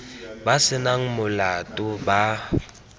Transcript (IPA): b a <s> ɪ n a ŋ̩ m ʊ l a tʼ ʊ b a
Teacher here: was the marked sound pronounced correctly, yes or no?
yes